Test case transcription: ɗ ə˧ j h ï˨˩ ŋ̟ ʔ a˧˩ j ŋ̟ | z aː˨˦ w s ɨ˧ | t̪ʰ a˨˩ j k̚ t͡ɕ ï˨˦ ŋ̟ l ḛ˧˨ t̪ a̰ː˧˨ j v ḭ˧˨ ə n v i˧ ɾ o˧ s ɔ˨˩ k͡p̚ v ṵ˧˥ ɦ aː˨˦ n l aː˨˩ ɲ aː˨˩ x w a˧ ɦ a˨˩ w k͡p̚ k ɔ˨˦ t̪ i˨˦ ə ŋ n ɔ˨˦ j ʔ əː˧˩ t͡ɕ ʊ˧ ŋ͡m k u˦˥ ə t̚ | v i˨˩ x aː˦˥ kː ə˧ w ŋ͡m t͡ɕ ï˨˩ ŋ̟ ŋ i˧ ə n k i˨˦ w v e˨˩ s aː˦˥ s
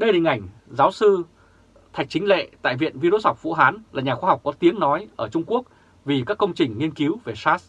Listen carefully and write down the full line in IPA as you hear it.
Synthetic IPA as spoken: ɗ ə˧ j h ï˨˩ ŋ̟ ʔ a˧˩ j ŋ̟ | z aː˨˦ w s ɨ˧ | t̪ʰ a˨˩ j k̚ t͡ɕ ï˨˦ ŋ̟ l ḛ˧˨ t̪ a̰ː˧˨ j v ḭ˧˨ ə n v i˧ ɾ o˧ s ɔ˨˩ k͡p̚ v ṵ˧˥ ɦ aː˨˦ n l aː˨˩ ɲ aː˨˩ x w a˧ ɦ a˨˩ w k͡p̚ k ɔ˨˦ t̪ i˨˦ ə ŋ n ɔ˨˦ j ʔ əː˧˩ t͡ɕ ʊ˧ ŋ͡m k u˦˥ ə k̚ | v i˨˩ k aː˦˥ kː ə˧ w ŋ͡m t͡ɕ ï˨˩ ŋ̟ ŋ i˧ ə n k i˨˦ w v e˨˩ s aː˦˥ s

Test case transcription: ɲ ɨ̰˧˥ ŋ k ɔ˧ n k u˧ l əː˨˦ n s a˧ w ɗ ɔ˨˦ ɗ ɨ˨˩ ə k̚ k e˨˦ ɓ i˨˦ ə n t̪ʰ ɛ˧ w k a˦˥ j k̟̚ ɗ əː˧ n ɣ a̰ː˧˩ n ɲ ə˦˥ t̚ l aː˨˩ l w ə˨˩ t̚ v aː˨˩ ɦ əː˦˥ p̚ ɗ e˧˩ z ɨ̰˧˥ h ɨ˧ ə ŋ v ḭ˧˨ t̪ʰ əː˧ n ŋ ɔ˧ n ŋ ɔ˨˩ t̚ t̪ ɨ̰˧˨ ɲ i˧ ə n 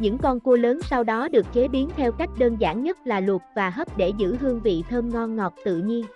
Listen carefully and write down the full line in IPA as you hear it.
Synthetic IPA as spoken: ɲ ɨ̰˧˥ ŋ k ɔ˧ n k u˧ l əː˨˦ n s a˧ w ɗ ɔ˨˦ ɗ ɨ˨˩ ə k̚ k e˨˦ ɓ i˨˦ ə n t̪ʰ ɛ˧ w k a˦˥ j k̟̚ ɗ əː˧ n z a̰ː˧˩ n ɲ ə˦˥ t̚ l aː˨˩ l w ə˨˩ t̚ v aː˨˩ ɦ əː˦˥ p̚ ɗ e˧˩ z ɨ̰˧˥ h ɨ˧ ə ŋ v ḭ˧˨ t̪ʰ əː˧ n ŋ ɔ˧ n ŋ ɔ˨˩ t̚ t̪ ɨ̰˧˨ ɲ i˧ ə n

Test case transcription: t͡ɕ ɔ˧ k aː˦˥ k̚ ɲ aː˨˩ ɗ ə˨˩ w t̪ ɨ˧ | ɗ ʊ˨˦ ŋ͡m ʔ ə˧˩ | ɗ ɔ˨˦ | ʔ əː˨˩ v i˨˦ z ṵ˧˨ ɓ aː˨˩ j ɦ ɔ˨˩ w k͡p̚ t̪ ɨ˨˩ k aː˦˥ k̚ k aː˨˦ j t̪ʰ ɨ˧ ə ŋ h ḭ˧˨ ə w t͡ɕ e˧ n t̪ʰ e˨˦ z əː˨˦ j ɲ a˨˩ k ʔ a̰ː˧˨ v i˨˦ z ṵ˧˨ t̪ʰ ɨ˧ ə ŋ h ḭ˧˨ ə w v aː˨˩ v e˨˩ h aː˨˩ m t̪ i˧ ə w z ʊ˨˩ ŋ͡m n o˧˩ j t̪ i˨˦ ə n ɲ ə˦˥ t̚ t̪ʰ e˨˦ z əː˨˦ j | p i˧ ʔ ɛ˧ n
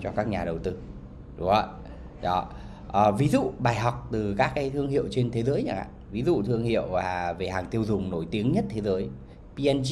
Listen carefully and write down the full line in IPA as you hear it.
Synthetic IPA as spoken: t͡ɕ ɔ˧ k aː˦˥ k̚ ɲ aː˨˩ ɗ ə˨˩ w t̪ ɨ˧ | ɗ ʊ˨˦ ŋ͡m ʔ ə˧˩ | ɗ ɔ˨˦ | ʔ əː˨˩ v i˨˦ z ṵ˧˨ ɓ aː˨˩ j ɦ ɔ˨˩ w k͡p̚ t̪ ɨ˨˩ k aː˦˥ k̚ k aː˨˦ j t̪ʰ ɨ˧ ə ŋ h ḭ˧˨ ə w t͡ɕ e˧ n t̪ʰ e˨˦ z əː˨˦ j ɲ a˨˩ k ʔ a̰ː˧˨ v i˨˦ z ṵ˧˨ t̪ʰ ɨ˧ ə ŋ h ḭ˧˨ ə w v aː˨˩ v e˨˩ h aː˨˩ ŋ t̪ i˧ ə w z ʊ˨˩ ŋ͡m n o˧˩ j t̪ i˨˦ ə ŋ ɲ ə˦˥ t̚ t̪ʰ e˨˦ z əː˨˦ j | p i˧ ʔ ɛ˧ n

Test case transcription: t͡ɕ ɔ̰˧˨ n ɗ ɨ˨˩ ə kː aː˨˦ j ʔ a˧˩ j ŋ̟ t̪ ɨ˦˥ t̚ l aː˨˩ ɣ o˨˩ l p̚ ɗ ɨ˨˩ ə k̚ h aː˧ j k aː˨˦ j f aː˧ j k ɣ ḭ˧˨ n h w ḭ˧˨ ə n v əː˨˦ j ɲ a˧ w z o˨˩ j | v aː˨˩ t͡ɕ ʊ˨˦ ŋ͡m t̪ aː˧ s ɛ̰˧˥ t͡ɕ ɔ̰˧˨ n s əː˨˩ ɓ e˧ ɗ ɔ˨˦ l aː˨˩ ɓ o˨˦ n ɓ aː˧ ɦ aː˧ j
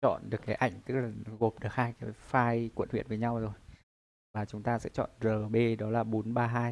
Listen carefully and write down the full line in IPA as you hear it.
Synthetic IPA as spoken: t͡ɕ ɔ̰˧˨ n ɗ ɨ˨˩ ə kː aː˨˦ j ʔ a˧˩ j ŋ̟ t̪ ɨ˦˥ k̚ l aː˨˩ ɣ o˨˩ p̚ ɗ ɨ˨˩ ə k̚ h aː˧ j k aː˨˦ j f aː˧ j k w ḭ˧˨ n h w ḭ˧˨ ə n v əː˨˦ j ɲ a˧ w z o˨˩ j | v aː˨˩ t͡ɕ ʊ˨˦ ŋ͡m t̪ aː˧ s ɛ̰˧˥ t͡ɕ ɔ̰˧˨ n z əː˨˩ ɓ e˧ ɗ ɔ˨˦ l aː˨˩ ɓ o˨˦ n ɓ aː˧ ɦ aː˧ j

